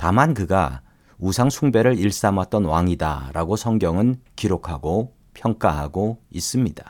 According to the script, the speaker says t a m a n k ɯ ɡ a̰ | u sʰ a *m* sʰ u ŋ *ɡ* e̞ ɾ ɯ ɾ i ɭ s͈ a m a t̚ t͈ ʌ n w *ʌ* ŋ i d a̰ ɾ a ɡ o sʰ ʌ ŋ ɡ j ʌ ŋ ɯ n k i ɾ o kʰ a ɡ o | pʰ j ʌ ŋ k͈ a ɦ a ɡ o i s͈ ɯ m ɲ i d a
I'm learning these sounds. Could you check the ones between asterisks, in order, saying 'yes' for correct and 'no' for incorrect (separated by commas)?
no, no, no